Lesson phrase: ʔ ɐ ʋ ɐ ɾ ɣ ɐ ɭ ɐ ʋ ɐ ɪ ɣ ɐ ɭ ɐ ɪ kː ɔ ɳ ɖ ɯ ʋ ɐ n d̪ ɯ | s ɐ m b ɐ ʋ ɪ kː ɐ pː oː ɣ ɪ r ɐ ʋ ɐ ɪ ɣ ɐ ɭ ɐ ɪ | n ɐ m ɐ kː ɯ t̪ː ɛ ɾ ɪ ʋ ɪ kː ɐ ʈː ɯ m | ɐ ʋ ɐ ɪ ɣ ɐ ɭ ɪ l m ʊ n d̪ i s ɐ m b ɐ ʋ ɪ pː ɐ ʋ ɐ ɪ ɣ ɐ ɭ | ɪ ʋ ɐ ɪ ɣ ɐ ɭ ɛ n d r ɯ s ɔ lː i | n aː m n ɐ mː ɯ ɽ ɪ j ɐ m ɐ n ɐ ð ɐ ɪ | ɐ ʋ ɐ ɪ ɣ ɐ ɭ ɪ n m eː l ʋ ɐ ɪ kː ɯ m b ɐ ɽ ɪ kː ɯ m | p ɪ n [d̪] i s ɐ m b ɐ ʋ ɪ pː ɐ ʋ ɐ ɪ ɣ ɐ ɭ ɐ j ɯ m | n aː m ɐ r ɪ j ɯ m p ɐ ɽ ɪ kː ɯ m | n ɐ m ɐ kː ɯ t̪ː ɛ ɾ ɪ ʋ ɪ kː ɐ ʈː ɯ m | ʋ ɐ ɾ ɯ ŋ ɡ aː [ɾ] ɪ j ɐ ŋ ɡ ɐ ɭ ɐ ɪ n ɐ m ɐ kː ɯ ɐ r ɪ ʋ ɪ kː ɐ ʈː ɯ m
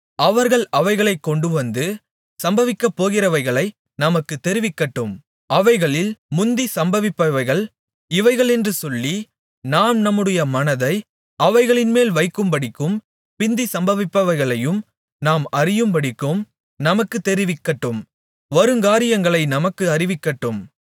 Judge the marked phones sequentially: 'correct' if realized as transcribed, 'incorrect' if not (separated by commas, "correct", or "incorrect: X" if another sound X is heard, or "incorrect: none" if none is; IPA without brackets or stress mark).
correct, correct